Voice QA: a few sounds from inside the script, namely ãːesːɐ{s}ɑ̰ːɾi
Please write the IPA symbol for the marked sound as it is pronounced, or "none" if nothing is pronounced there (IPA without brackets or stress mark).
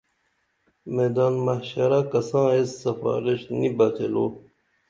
f